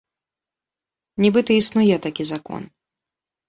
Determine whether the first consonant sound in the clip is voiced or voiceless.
voiced